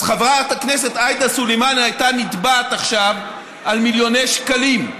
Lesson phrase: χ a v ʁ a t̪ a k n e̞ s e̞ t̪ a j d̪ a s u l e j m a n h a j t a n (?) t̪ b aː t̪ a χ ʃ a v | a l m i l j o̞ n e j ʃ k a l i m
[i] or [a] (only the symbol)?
i